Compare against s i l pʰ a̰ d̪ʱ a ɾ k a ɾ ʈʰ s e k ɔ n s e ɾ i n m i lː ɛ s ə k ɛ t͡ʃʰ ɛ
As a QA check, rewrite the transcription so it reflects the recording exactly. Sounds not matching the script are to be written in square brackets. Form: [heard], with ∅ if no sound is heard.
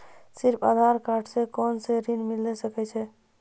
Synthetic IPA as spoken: s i [ɾ] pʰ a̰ d̪ʱ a ɾ k a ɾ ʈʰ s e k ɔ n s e ɾ i n m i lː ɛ s ə k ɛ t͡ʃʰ ɛ